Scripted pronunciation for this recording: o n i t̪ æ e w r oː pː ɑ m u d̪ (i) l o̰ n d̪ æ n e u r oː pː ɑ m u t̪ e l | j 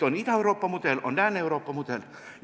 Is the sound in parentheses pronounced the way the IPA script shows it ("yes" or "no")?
no